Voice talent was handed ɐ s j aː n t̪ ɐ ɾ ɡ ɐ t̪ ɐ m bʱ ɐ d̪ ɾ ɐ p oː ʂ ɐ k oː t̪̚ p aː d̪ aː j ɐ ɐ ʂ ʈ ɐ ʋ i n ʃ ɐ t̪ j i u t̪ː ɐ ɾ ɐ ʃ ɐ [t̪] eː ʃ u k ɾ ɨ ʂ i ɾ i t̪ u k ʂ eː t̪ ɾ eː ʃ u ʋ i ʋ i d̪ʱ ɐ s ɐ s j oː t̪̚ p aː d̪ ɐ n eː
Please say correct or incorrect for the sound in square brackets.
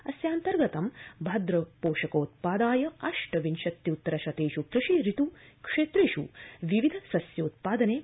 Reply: correct